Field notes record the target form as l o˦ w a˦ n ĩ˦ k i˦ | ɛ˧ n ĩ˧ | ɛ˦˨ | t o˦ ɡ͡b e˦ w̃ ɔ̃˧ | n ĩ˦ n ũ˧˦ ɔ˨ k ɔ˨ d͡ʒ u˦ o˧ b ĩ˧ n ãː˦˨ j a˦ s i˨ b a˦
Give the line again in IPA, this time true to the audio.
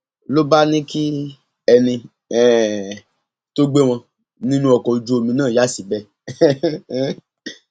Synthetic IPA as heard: l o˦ b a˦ n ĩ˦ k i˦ | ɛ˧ n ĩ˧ | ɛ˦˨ | t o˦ ɡ͡b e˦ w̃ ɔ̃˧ | n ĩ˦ n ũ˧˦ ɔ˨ k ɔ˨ d͡ʒ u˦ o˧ m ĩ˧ n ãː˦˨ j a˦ s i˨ b ɛ˦

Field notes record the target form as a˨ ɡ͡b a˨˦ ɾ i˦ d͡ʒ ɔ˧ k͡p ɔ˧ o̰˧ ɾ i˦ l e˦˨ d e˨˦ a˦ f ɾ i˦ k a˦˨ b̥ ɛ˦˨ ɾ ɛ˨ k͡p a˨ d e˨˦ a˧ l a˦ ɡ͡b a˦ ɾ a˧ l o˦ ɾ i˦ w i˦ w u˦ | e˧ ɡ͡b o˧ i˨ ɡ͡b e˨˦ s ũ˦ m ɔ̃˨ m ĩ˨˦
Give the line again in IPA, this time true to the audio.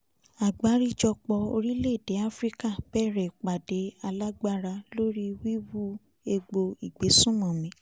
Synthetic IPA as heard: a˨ ɡ͡b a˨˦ ɾ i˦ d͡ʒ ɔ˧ k͡p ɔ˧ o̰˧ ɾ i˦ l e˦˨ d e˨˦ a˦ f ɾ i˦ k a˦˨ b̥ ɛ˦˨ ɾ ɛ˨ k͡p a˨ d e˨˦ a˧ l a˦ ɡ͡b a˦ ɾ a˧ l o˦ ɾ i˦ w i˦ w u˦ | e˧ ɡ͡b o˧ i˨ ɡ͡b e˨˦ s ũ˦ m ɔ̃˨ m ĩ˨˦

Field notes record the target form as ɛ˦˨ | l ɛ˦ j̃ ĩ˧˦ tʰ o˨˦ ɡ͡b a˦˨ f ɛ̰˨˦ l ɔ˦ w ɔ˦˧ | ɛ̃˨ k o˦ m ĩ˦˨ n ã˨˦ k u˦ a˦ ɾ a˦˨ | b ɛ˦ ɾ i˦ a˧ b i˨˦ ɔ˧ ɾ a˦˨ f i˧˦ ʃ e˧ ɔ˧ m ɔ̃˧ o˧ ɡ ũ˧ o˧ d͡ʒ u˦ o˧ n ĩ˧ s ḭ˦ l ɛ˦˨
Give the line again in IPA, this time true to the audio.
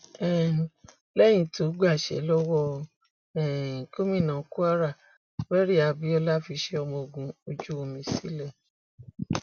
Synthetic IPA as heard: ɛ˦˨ | l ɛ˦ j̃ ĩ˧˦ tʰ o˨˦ ɡ͡b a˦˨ ʃ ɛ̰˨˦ l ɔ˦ w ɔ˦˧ | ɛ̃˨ k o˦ m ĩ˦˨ n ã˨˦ k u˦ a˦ ɾ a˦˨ | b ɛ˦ ɾ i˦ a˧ b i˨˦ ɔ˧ l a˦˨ f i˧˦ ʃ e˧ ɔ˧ m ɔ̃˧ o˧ ɡ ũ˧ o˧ d͡ʒ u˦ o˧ m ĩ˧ s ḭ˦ l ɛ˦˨

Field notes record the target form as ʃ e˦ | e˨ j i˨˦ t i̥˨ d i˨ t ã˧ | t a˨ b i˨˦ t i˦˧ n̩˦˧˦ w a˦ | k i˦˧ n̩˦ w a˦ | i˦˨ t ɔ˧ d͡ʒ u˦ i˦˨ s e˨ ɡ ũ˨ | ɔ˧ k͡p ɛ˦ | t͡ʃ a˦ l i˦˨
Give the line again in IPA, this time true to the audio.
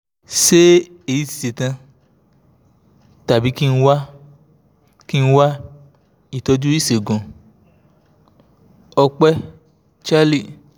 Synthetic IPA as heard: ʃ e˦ | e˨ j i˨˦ t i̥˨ t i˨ t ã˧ | t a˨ b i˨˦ k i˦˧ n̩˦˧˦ w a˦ | k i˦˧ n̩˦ w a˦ | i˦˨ t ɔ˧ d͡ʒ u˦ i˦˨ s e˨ ɡ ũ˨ | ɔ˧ k͡p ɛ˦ | t͡ʃ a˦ l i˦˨

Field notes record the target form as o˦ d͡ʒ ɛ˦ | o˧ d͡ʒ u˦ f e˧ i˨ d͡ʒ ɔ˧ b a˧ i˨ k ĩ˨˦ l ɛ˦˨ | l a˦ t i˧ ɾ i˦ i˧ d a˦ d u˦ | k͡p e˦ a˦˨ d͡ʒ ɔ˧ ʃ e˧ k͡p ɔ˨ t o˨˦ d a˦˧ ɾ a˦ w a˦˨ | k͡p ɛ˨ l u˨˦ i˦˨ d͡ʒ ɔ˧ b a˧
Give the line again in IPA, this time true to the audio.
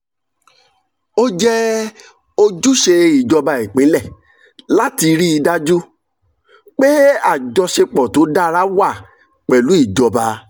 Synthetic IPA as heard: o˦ d͡ʒ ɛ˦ | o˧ d͡ʒ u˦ ʃ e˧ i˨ d͡ʒ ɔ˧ b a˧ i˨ k͡p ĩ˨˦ l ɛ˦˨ | l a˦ t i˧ ɾ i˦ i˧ d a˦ d͡ʒ u˦ | k͡p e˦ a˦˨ d͡ʒ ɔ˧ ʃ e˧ k͡p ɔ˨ t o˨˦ d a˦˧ ɾ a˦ w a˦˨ | k͡p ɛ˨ l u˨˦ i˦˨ d͡ʒ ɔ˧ b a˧

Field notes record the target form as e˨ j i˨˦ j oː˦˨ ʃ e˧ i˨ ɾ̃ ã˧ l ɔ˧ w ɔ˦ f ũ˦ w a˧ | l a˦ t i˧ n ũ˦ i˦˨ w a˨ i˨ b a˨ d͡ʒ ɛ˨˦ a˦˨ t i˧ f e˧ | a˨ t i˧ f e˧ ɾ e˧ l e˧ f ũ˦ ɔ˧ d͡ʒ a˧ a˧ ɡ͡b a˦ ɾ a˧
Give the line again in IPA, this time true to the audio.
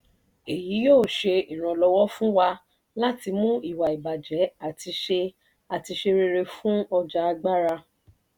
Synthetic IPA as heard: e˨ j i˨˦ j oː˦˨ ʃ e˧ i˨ ɾ̃ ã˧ l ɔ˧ w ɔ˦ f ũ˦ w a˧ | l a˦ t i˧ m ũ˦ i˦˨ w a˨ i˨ b a˨ d͡ʒ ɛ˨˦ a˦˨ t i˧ ʃ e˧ | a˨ t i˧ ʃ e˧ ɾ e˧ ɾ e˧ f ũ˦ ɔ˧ d͡ʒ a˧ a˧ ɡ͡b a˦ ɾ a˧

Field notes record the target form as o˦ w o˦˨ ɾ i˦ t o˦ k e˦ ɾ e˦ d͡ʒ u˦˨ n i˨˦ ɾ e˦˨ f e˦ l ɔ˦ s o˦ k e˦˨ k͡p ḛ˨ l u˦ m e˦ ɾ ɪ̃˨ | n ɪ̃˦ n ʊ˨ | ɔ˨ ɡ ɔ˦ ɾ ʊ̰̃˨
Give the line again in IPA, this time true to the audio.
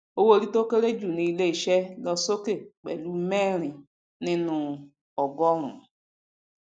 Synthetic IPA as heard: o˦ w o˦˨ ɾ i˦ t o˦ k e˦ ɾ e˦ d͡ʒ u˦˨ n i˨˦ l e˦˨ ʃ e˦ l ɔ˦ s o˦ k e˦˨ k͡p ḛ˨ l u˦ m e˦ ɾ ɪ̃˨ | n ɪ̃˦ n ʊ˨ | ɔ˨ ɡ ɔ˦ ɾ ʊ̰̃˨

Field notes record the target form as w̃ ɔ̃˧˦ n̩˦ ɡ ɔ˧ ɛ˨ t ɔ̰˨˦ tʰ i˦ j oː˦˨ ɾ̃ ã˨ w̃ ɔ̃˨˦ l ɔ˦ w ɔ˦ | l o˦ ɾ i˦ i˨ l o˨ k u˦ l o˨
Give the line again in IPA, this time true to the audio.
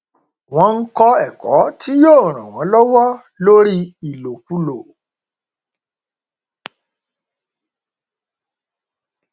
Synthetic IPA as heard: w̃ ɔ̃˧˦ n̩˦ k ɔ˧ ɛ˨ k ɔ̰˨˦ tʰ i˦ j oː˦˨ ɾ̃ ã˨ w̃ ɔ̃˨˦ l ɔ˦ w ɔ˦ | l o˦ ɾ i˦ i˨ l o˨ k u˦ l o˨

